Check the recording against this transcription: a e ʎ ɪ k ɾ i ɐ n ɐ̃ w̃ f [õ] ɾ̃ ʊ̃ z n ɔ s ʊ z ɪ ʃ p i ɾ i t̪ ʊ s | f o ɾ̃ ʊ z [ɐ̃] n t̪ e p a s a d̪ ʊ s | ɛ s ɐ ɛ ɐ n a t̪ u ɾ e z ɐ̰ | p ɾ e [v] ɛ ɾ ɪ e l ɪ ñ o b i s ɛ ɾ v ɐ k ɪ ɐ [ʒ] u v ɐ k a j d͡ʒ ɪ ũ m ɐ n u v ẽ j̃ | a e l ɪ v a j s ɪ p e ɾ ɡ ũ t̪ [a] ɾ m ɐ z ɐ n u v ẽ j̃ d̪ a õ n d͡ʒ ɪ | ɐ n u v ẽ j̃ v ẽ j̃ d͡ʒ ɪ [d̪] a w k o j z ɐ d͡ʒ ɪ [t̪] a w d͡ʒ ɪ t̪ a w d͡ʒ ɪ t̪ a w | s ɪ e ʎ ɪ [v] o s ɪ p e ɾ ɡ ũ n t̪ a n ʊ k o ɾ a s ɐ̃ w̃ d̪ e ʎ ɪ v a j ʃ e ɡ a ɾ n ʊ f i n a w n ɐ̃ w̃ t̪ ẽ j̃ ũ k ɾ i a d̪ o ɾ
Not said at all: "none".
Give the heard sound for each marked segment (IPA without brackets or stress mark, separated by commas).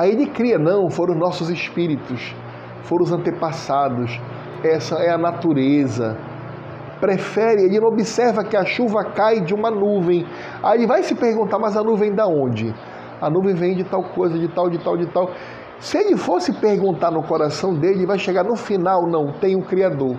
o, ɐ̃, f, ʃ, a, t̪, t̪, f